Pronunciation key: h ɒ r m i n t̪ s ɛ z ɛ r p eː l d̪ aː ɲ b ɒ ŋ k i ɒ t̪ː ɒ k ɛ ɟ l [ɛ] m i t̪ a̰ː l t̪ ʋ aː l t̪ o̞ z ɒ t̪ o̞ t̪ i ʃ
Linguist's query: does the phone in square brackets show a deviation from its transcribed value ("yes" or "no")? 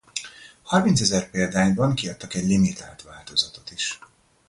yes